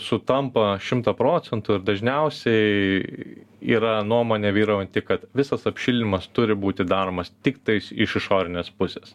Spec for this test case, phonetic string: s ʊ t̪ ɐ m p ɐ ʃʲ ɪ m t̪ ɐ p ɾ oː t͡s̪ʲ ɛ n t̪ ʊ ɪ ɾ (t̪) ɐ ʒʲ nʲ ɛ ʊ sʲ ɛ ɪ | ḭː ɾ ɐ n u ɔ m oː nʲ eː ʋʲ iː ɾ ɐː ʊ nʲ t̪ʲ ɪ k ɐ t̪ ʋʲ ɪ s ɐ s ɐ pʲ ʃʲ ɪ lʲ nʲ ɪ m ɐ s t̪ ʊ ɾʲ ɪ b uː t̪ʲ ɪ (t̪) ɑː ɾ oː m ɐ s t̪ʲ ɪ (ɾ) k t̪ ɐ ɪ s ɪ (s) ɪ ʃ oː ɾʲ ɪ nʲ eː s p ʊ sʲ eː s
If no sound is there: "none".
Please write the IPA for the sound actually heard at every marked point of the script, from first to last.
d̪, d̪, none, ʃ

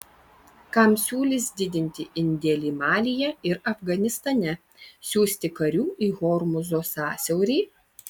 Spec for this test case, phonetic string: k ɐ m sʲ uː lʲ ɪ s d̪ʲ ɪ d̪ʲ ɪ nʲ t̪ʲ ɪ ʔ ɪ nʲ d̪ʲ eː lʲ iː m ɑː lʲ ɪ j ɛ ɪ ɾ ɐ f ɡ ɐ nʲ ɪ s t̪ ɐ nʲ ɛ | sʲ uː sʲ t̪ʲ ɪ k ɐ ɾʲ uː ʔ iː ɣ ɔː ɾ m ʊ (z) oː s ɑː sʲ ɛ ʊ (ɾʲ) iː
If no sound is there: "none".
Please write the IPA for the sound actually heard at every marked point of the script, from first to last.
z, ɾʲ

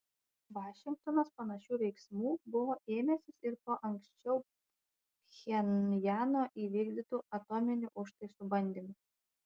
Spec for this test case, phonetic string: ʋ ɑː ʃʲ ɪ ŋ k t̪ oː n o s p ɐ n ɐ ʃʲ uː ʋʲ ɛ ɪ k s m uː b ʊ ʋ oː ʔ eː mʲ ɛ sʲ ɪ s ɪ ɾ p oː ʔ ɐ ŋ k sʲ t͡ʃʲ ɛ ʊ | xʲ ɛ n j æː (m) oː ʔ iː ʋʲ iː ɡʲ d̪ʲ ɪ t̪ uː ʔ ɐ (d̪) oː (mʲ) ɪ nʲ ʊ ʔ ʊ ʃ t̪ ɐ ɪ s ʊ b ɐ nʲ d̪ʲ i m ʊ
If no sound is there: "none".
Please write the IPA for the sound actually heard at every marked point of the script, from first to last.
n, t̪, mʲ

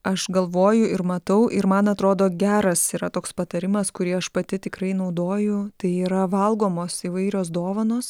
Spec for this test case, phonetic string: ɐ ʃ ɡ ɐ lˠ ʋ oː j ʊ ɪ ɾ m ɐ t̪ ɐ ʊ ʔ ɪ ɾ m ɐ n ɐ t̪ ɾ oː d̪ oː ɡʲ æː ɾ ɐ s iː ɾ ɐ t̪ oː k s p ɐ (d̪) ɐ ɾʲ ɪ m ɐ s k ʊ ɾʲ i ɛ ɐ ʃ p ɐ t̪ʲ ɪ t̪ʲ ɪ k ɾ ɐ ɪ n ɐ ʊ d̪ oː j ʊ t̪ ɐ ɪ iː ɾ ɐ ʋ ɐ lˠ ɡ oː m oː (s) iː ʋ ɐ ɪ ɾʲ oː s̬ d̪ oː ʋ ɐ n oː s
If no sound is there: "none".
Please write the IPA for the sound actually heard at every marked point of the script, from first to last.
t̪, s

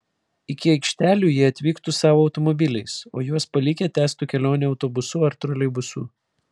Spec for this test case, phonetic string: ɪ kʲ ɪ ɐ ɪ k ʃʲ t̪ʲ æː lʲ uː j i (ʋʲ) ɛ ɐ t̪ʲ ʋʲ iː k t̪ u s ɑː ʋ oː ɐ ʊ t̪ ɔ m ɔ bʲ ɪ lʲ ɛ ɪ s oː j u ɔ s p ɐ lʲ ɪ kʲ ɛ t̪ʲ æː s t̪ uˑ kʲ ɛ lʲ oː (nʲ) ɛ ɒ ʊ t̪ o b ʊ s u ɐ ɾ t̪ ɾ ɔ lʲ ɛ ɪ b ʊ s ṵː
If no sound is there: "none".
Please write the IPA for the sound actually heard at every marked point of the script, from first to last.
none, nʲ

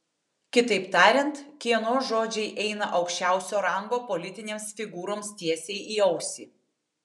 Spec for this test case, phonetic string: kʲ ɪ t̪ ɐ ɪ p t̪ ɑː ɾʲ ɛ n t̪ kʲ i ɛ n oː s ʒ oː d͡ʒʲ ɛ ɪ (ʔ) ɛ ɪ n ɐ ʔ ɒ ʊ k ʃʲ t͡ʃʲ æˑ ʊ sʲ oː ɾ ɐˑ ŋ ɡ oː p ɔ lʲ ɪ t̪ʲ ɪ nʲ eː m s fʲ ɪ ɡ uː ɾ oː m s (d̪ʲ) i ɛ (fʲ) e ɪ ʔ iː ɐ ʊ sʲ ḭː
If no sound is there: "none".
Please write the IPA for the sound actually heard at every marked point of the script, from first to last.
ʔ, t̪ʲ, sʲ

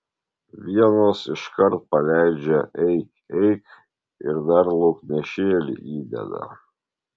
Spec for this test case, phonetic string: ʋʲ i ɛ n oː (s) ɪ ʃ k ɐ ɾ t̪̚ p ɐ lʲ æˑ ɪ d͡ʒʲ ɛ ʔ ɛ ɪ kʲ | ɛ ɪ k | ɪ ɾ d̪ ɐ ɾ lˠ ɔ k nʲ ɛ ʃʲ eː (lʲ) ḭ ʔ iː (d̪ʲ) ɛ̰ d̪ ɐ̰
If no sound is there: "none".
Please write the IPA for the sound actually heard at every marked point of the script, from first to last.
s, lʲ, d̪ʲ

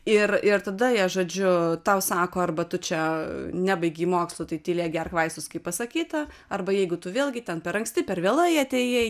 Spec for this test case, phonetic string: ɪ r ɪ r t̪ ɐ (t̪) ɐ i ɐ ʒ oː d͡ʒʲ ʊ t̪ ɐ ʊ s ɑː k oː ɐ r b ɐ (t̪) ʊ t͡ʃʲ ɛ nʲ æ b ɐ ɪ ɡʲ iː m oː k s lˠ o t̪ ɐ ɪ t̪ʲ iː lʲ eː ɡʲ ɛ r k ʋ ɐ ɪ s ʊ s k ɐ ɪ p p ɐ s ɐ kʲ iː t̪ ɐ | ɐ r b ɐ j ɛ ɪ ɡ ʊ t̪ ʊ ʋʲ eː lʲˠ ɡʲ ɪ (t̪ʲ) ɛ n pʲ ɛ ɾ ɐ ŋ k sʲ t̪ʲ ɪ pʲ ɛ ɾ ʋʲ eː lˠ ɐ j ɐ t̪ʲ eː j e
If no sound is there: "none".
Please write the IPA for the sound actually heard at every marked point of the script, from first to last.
d̪, t̪, t̪ʲ

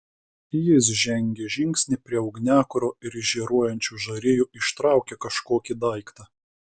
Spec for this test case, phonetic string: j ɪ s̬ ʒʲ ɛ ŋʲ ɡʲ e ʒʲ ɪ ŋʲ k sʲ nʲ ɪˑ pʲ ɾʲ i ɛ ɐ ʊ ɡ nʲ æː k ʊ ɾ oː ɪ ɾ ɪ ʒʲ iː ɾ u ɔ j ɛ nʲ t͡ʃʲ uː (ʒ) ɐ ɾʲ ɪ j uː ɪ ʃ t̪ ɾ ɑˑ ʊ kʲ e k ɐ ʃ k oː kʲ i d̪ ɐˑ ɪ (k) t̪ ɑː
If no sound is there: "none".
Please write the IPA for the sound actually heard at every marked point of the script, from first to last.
ʒ, k

